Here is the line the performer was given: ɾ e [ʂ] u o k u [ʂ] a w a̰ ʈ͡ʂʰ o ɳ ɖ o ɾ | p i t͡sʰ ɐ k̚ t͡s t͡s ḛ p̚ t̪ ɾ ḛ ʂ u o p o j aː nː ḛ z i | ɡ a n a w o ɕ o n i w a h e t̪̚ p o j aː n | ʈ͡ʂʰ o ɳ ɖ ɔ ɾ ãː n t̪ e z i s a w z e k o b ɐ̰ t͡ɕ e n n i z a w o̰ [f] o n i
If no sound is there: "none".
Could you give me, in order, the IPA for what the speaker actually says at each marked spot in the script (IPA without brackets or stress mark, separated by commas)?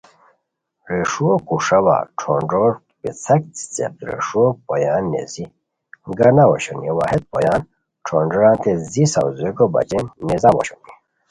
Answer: ʂ, ʂ, ɕ